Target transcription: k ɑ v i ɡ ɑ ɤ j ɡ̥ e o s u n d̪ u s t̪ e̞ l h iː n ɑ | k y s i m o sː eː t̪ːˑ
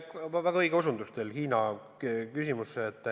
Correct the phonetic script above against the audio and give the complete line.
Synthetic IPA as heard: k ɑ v æ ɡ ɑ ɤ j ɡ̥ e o s u n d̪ u s t̪ e̞ l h iː n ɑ | k y s i m u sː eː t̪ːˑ